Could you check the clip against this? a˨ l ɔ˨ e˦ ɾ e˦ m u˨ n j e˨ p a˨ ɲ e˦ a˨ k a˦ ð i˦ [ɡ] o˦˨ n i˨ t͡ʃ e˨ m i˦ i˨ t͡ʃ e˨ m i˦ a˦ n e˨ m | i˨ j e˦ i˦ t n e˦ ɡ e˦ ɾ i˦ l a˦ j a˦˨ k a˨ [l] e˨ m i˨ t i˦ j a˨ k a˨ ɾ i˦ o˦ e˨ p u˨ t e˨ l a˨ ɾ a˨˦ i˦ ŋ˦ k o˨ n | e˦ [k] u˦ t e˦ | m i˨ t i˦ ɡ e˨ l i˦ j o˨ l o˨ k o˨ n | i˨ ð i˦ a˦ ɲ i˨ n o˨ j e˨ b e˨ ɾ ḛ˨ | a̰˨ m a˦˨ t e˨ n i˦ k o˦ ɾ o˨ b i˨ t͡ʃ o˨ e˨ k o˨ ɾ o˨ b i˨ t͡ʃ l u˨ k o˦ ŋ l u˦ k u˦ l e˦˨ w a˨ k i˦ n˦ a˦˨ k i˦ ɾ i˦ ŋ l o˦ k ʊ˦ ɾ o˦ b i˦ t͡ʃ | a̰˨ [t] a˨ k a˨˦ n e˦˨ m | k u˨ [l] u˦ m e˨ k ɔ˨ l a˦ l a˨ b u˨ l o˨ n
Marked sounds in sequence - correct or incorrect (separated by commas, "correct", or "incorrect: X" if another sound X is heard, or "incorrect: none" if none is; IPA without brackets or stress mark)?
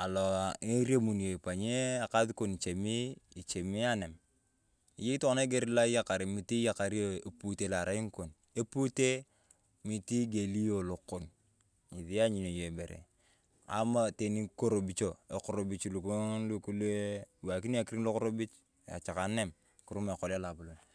incorrect: k, incorrect: ɾ, incorrect: p, incorrect: t͡ʃ, incorrect: ɾ